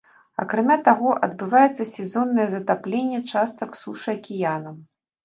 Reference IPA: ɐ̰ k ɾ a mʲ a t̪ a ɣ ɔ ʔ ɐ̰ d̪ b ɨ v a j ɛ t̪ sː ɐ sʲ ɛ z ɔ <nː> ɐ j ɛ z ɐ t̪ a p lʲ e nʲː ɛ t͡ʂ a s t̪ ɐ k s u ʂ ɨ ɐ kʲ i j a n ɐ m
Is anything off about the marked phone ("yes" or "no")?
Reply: no